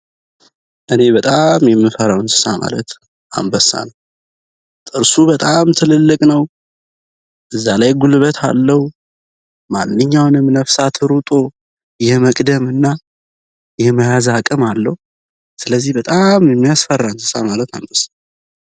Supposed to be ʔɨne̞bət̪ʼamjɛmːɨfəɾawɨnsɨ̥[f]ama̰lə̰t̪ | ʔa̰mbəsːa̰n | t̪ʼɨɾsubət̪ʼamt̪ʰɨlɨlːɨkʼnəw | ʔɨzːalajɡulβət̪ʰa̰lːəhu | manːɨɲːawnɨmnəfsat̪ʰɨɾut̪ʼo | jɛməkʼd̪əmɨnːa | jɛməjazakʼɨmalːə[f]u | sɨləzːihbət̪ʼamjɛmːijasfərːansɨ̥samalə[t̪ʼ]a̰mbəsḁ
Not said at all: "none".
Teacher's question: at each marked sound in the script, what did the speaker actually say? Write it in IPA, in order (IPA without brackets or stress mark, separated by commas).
s, h, t̪